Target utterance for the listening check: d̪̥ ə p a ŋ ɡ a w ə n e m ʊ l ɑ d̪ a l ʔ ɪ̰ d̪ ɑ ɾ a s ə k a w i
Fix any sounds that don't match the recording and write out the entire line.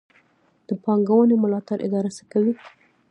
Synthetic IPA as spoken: d̪̥ ə p ɑ ŋ ɡ a w ə n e m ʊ l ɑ t̪ a ɾ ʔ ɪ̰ d̪ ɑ ɾ a s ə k a w i